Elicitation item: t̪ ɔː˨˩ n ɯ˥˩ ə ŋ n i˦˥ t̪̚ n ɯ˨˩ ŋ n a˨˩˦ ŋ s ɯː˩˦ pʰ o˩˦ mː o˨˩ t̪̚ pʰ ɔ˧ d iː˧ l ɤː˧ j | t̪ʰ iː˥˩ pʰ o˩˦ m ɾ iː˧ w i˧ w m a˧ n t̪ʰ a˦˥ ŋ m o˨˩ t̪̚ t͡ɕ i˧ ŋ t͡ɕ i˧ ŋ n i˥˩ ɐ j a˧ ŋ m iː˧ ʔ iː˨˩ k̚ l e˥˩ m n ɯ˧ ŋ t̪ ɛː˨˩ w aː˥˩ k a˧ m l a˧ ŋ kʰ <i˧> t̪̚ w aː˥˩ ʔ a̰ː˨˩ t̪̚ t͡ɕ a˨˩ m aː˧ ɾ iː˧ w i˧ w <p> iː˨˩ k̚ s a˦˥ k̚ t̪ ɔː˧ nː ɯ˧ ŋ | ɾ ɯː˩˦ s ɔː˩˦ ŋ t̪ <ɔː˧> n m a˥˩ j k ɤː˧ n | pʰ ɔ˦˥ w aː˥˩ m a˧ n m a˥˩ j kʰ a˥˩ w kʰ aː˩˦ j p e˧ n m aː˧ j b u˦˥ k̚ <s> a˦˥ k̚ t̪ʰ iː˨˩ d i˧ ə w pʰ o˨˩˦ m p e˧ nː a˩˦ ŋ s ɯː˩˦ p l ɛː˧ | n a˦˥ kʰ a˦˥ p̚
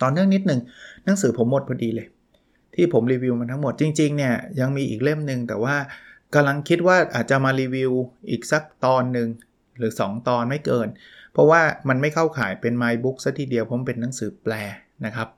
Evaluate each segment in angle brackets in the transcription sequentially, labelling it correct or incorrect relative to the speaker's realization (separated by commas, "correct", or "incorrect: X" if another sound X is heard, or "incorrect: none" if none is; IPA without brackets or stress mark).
incorrect: i˦˥, incorrect: ʔ, correct, correct